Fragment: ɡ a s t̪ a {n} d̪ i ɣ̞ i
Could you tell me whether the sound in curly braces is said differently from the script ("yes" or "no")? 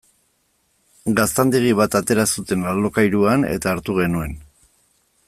no